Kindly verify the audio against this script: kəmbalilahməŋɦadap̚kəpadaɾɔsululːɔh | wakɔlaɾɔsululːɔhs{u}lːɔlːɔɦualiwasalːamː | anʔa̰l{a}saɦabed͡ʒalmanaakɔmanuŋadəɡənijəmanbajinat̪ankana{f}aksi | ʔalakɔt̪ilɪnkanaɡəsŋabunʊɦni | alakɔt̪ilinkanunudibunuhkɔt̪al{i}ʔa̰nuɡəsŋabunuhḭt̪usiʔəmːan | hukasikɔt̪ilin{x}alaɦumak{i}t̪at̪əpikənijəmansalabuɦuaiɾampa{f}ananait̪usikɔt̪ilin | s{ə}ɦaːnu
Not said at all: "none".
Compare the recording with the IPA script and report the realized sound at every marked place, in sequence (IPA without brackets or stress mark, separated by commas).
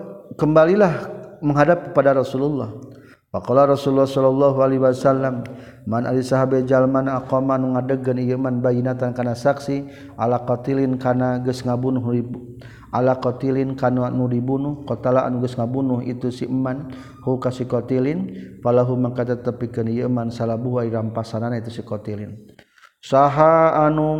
ɔ, i, s, a, f, a, s, a